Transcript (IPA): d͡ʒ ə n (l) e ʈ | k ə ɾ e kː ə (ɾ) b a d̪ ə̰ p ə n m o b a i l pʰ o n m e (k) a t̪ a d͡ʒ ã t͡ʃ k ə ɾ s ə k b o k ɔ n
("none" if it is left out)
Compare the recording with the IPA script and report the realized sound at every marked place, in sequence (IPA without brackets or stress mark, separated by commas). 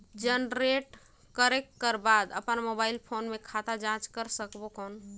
ɾ, ɾ, kʰ